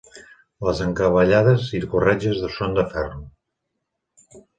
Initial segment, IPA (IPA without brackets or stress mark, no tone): l